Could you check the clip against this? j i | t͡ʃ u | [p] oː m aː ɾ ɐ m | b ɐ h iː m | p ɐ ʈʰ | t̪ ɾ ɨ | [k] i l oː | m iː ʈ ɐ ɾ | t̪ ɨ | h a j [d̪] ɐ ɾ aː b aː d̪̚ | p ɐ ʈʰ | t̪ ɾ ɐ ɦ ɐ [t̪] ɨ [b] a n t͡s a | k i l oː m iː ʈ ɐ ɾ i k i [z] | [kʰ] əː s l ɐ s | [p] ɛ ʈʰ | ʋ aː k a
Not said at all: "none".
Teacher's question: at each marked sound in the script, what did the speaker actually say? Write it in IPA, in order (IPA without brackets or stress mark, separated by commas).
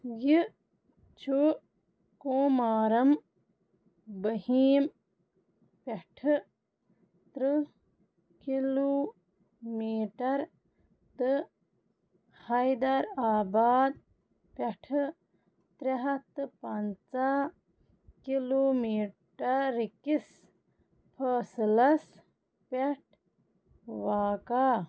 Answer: k, k, d̪, t̪, p, s, pʰ, p